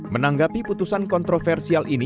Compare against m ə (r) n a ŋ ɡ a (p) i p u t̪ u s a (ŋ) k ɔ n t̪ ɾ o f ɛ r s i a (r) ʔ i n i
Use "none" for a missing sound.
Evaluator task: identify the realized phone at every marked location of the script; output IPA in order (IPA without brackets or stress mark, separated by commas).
none, p, n, l